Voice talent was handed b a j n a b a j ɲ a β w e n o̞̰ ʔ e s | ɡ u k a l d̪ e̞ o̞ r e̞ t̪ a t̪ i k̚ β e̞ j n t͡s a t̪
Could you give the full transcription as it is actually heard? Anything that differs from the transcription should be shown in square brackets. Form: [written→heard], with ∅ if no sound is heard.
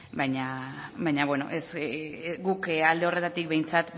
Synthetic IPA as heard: b a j [n→ɲ] a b a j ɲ a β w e n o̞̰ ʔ e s | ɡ u k a l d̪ e̞ o̞ r e̞ t̪ a t̪ i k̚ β e̞ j n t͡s a t̪